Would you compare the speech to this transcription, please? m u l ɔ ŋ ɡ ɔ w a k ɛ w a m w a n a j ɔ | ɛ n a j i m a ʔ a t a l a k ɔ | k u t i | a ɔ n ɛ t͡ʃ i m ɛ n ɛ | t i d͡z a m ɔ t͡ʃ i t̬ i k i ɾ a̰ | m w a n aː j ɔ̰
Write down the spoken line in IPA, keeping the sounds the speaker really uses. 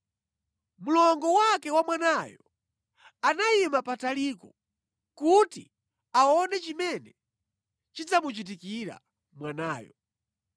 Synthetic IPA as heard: m u l ɔ ŋ ɡ ɔ w a k ɛ w a m w a n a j ɔ | a n a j i m a p a t a l i k ɔ | k u t i | a ɔ n ɛ t͡ʃ i m ɛ n ɛ | t͡ʃ i d͡z a m u t͡ʃ i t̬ i k i ɾ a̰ | m w a n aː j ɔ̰